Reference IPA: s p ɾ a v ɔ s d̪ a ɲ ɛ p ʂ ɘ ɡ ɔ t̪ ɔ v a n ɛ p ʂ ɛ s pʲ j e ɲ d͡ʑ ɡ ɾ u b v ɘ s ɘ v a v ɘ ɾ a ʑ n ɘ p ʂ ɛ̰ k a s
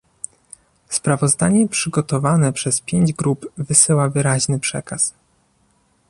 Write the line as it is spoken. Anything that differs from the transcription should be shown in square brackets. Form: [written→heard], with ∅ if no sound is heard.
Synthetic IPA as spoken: s p ɾ a v ɔ [s→z] d̪ a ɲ ɛ p ʂ ɘ ɡ ɔ t̪ ɔ v a n ɛ p ʂ ɛ s pʲ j e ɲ d͡ʑ ɡ ɾ u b v ɘ s ɘ [v→w] a v ɘ ɾ a ʑ n ɘ p ʂ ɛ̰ k a s